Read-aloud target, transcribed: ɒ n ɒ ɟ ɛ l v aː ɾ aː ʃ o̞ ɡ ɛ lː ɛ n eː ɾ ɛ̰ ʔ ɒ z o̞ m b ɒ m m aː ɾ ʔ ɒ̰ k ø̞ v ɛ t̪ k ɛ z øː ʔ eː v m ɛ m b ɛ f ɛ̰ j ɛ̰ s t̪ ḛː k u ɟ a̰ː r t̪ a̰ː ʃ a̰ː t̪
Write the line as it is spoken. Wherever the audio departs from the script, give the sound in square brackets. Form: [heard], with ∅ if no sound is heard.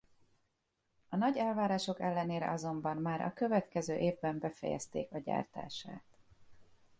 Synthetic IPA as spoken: ɒ n ɒ ɟ ɛ l v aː ɾ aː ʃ o̞ [k] ɛ lː ɛ n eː ɾ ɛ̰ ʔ ɒ z o̞ m b ɒ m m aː ɾ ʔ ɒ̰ k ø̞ v ɛ t̪ k ɛ z øː ʔ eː v [b] ɛ m b ɛ f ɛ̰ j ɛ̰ s t̪ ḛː k [ɒ] ɟ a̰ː r t̪ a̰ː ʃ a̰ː t̪

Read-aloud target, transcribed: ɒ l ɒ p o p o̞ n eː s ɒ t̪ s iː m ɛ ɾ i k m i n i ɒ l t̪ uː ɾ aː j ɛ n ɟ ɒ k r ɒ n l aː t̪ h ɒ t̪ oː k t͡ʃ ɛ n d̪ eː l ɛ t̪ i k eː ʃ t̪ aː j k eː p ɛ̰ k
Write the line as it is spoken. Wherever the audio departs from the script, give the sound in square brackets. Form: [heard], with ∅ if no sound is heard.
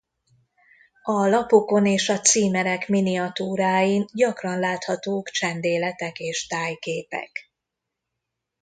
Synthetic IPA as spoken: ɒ l ɒ p o [k] o̞ n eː [ʃ] ɒ t̪ s iː m ɛ ɾ [ɛ] k m i n i ɒ [∅] t̪ uː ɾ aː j [i] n ɟ ɒ k r ɒ n l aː t̪ h ɒ t̪ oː k t͡ʃ ɛ n d̪ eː l ɛ t̪ [ɛ] k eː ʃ t̪ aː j k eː p ɛ̰ k

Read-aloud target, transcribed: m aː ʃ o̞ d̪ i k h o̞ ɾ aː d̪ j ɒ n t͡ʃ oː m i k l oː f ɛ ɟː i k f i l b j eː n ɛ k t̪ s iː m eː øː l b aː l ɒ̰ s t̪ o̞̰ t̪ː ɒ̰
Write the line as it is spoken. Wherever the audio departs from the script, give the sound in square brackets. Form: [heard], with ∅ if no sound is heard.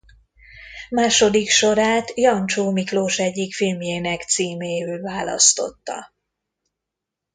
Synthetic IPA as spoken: m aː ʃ o̞ d̪ i k [ʃ] o̞ ɾ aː [t̪] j ɒ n t͡ʃ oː m i k l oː [ʃ] ɛ ɟː i k f i l [m] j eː n ɛ k t̪ s iː m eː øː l [v] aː l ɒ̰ s t̪ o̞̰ t̪ː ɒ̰

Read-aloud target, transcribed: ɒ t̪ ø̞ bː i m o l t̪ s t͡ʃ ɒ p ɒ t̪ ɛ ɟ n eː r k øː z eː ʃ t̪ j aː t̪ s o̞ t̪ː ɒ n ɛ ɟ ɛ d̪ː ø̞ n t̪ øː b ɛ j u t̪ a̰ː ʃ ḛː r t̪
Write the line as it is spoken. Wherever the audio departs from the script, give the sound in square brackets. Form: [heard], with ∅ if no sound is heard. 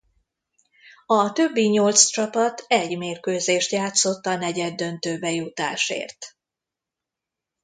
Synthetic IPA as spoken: ɒ t̪ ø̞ bː i [ɲ] o l t̪ s t͡ʃ ɒ p ɒ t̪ ɛ ɟ [m] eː r k øː z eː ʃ t̪ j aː t̪ s o̞ t̪ː ɒ n ɛ ɟ ɛ d̪ː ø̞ n t̪ øː b ɛ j u t̪ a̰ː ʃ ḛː r t̪

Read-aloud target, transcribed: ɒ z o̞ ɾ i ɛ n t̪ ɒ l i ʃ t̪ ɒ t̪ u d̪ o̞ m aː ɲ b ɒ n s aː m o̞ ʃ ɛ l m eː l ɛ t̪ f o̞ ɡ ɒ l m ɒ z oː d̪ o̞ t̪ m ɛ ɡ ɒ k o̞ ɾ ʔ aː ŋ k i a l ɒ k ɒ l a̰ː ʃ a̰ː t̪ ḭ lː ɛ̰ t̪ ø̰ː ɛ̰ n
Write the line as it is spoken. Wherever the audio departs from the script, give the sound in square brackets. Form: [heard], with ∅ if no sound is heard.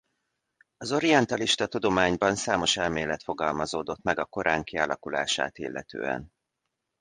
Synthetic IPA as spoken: ɒ z o̞ ɾ i ɛ n t̪ ɒ l i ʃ t̪ ɒ t̪ u d̪ o̞ m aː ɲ b ɒ n s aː m o̞ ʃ ɛ l m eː l ɛ t̪ f o̞ ɡ ɒ l m ɒ z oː d̪ o̞ t̪ m ɛ ɡ ɒ k o̞ ɾ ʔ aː ŋ k i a l ɒ k [u] l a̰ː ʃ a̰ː t̪ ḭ lː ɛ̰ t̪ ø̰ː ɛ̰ n

